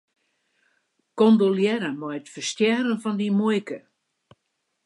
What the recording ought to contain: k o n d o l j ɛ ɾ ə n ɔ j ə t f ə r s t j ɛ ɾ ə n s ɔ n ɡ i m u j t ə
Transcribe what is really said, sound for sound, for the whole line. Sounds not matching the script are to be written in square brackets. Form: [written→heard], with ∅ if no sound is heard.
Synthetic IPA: k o n d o l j ɛ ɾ ə [n→m] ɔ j ə t f ə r s t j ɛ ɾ ə n [s→f] ɔ n [ɡ→d] i m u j [t→k] ə